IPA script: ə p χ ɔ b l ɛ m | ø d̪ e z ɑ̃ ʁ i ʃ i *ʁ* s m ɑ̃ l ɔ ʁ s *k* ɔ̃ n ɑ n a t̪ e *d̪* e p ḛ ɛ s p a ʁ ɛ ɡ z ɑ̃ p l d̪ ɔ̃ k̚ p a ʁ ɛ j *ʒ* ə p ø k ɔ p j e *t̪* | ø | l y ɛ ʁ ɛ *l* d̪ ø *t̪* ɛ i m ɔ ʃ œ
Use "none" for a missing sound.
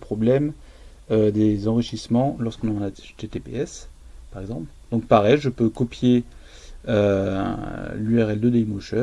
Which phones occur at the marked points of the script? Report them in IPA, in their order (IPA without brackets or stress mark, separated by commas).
none, k, t̪, ʒ, none, l, d̪